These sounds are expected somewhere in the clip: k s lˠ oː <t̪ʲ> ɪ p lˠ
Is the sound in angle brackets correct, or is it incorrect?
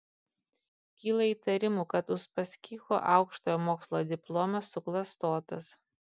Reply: incorrect